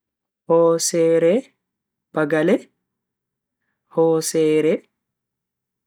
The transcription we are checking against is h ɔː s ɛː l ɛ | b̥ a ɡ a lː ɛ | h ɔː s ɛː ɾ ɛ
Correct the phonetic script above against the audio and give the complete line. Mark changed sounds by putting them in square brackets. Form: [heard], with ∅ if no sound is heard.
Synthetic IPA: h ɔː s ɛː [ɾ] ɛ | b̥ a ɡ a [l] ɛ | h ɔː s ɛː ɾ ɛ

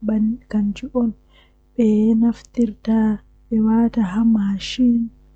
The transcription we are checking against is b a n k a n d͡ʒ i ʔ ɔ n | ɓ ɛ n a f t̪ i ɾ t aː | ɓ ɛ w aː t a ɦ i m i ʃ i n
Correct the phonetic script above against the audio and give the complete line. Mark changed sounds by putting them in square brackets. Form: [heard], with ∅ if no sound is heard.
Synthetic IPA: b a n k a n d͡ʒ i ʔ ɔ n | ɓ ɛ n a f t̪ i ɾ t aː | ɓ ɛ w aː t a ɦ [a] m [a] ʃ i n

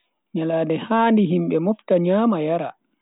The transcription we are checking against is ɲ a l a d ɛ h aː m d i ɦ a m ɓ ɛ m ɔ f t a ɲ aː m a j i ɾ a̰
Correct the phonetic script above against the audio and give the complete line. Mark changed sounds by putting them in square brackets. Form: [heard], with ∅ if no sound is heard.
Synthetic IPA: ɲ a l a d ɛ h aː [n] d i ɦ [i] m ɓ ɛ m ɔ f t a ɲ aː m a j [a] ɾ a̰

